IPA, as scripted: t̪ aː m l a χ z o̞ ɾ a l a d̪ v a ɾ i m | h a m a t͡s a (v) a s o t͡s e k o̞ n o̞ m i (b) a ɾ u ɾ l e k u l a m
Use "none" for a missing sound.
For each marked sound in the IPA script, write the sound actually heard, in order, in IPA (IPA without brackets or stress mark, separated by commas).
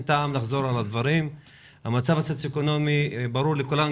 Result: v, b